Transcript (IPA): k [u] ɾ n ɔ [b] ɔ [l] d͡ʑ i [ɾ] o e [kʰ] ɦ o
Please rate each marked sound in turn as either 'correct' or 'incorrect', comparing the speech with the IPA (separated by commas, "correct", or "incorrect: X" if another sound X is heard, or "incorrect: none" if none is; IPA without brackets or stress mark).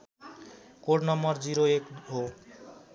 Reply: incorrect: o, incorrect: m, incorrect: ɾ, correct, incorrect: k